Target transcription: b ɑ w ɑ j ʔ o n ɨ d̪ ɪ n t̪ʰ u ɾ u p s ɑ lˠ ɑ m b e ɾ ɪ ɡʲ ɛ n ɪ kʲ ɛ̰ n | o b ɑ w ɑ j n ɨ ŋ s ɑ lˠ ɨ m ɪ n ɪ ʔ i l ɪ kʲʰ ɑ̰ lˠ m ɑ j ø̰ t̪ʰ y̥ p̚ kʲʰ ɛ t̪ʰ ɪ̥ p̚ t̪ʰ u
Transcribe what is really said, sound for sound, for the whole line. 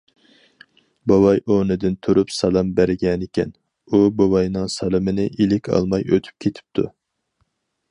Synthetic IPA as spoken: b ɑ w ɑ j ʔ o n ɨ d̪ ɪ n t̪ʰ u ɾ u p s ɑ lˠ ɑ m b æ ɾ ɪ ɡʲ ɛ n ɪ kʲ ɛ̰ n | u b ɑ w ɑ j n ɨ ŋ s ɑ lˠ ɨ m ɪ n ɪ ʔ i l ɪ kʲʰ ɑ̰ lˠ m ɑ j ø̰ t̪ʰ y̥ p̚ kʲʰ e t̪ʰ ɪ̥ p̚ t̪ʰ u

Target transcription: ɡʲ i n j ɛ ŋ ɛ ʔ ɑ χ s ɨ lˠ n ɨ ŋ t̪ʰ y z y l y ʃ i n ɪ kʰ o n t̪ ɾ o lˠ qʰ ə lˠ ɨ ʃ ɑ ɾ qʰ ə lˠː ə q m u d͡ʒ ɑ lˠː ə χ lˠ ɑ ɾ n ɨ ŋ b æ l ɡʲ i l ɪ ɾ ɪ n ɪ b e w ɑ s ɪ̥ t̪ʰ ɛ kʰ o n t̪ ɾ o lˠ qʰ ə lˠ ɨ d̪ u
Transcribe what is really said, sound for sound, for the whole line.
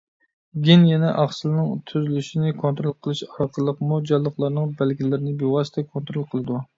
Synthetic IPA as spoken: ɡʲ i n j ɛ n ɛ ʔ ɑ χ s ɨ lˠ n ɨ ŋ t̪ʰ y z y l y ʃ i n ɪ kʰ o n t̪ ɾ o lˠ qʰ ə lˠ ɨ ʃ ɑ ɾ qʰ ə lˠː ə q m u d͡ʒ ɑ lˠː ə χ lˠ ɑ ɾ n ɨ ŋ b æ l ɡʲ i l ɪ ɾ ɪ n ɪ b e w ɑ s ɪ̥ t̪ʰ ɛ kʰ o n t̪ ɾ o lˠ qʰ ə lˠ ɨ d̪ u

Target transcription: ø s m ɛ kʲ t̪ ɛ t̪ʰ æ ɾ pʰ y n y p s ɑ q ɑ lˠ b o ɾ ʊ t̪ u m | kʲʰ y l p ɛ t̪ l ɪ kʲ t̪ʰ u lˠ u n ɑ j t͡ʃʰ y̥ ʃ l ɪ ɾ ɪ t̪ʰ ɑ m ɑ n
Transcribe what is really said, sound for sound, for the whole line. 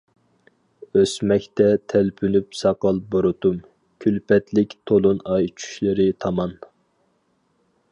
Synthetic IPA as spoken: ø s m ɛ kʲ t̪ ɛ t̪ʰ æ l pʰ y n y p s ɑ q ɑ lˠ b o ɾ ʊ t̪ u m | kʲʰ y l p ɛ t̪ l ɪ kʲ t̪ʰ o lˠ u n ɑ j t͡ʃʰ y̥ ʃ l ɪ ɾ ɪ t̪ʰ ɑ m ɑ n

